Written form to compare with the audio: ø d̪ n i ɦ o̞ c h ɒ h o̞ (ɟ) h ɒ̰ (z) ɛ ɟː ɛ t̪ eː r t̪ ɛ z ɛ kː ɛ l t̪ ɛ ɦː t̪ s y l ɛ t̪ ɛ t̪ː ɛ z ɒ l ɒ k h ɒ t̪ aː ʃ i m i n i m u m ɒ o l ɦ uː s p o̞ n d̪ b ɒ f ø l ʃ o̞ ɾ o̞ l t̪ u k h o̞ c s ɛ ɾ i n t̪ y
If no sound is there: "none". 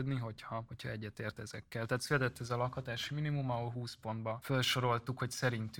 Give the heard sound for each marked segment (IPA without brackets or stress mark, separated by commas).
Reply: c, none